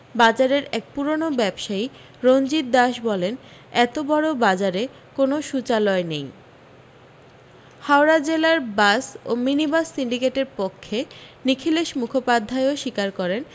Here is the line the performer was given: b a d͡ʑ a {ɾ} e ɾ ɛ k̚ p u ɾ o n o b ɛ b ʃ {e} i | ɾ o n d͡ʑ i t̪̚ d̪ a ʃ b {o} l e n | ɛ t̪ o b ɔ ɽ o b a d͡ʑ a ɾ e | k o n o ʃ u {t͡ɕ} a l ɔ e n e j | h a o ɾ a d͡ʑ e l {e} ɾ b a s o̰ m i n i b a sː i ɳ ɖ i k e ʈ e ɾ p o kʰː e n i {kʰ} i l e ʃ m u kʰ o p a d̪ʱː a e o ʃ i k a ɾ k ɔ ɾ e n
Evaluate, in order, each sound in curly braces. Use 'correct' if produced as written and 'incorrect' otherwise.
correct, incorrect, incorrect, correct, incorrect, correct

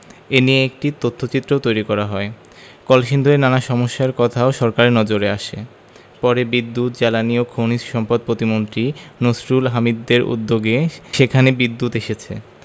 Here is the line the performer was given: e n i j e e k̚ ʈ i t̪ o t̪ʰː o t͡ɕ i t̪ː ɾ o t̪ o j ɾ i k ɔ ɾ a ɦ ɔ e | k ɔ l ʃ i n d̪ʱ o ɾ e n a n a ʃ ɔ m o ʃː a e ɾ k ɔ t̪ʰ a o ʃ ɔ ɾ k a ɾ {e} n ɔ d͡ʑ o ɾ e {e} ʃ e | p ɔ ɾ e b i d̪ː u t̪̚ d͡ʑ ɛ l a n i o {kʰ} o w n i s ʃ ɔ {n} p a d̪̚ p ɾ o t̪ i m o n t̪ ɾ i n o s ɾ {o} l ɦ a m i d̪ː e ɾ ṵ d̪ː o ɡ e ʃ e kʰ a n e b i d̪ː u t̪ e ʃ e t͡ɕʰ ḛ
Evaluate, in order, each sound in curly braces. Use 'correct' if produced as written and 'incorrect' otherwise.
correct, incorrect, correct, incorrect, incorrect

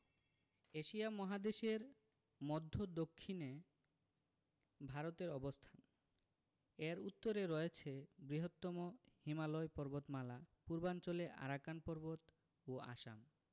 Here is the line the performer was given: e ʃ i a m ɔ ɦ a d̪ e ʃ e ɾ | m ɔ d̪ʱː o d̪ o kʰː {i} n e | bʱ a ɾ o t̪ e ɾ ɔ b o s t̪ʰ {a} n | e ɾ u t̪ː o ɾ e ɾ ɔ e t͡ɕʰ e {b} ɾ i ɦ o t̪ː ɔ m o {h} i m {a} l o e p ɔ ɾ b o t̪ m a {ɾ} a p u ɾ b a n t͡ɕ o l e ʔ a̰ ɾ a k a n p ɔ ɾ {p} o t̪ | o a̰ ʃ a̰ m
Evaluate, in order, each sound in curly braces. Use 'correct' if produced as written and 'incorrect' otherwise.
correct, correct, correct, correct, correct, incorrect, incorrect

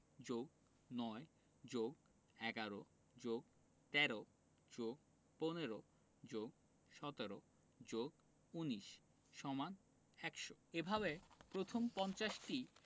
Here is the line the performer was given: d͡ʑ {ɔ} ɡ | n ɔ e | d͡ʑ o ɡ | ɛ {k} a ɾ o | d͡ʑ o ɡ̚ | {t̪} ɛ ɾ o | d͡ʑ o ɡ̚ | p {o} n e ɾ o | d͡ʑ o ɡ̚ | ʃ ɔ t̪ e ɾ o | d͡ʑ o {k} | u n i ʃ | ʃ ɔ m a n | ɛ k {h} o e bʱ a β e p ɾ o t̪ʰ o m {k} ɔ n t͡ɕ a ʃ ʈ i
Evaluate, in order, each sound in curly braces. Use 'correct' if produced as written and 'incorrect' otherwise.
incorrect, incorrect, correct, correct, incorrect, incorrect, incorrect

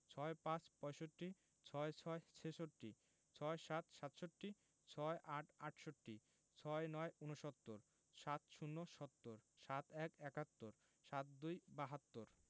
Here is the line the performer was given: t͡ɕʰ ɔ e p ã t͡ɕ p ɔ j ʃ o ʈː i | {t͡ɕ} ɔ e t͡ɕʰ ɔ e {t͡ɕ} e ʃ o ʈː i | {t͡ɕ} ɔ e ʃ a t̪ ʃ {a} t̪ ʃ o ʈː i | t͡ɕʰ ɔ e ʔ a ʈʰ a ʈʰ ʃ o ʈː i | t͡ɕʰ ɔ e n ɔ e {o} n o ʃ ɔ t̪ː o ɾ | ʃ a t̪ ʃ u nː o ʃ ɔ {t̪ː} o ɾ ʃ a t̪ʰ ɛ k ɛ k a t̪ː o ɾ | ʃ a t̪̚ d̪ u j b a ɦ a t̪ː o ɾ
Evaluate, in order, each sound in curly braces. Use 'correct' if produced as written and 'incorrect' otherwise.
incorrect, incorrect, incorrect, correct, incorrect, correct

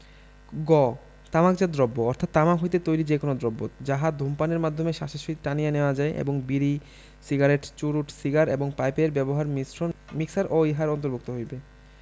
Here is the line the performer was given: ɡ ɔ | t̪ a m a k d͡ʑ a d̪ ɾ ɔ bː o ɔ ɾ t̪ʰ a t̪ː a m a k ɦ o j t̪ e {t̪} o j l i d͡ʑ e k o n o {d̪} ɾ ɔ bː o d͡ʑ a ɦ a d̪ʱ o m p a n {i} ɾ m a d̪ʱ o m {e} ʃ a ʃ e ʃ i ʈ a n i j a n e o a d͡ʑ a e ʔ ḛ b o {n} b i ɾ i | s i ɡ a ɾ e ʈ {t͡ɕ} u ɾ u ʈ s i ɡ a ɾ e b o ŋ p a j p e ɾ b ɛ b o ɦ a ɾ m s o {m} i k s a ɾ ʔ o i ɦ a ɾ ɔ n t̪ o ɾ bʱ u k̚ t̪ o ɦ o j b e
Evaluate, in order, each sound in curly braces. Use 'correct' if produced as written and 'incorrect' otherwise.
correct, correct, incorrect, correct, incorrect, correct, correct

